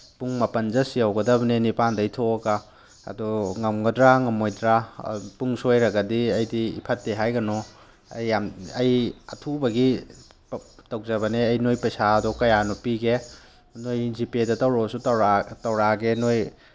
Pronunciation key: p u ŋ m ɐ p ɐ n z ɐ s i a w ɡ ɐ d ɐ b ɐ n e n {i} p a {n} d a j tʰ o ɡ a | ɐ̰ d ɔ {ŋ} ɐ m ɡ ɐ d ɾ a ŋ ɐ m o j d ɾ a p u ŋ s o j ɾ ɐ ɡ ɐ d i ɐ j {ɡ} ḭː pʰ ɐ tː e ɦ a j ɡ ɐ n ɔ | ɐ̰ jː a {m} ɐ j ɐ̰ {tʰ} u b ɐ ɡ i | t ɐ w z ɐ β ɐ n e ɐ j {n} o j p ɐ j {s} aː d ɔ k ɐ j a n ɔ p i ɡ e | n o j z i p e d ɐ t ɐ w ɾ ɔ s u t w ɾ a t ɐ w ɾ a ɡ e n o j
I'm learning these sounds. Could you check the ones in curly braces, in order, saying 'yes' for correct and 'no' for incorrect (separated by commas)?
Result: yes, yes, yes, no, yes, yes, yes, yes